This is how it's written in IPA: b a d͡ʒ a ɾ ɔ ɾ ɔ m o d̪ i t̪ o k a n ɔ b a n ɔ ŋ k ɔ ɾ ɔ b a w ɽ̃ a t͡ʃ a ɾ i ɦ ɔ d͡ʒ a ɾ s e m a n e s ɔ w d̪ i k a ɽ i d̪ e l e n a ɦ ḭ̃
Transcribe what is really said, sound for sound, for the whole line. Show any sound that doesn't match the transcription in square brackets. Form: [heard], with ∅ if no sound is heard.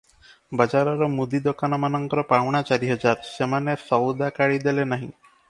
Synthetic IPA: b a d͡ʒ a ɾ ɔ ɾ ɔ m [u] d̪ i [d̪] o k a n ɔ [m] a n ɔ ŋ k ɔ ɾ ɔ [p] a w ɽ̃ a t͡ʃ a ɾ i ɦ ɔ d͡ʒ a ɾ s e m a n e s ɔ w d̪ [a] k a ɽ i d̪ e l e n a ɦ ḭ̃